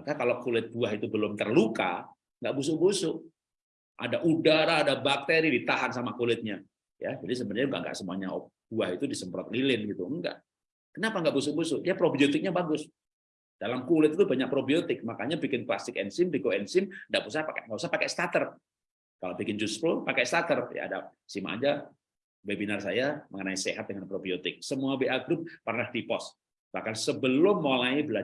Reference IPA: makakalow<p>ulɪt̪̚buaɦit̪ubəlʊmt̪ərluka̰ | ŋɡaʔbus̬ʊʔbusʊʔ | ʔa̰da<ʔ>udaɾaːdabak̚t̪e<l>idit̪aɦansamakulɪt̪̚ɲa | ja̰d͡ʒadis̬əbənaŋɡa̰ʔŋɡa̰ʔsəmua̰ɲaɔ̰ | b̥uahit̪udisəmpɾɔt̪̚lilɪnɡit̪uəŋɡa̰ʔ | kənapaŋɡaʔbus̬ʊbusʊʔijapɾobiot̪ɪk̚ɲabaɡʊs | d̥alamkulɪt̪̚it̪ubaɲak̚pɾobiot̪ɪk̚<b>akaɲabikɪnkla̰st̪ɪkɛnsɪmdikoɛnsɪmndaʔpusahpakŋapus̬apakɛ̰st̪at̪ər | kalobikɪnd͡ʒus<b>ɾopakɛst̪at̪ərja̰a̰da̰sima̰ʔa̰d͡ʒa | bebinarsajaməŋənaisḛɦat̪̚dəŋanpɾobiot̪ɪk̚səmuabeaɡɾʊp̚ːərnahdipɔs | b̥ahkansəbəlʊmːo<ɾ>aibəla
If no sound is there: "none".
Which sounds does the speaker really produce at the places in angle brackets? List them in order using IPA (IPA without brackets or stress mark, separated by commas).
k, ʔ, ɾ, m, p, l